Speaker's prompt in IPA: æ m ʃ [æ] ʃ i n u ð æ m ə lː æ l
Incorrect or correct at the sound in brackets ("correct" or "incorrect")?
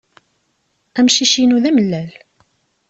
incorrect